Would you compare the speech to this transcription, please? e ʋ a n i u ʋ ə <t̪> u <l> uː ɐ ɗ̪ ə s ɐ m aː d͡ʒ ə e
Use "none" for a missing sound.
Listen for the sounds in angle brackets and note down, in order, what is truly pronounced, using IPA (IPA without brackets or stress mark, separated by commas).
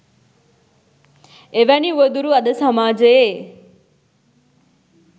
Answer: d̪, ɾ